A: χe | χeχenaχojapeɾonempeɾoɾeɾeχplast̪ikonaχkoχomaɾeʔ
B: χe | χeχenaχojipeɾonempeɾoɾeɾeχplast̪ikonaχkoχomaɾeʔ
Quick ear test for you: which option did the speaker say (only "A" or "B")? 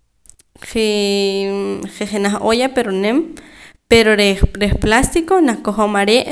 A